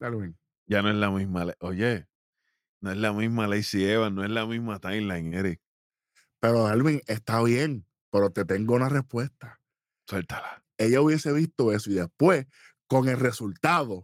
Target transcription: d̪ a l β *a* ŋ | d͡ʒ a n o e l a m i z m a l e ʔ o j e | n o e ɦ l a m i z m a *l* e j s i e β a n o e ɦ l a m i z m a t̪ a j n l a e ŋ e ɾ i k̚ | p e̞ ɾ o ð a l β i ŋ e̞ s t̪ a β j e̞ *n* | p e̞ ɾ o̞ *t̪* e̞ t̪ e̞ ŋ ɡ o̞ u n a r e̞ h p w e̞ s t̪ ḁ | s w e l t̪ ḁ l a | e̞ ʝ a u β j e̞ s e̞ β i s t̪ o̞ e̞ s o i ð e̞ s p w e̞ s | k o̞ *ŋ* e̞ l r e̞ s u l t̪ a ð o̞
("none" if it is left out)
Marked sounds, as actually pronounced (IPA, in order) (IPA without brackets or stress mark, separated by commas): i, l, ŋ, t̪, ŋ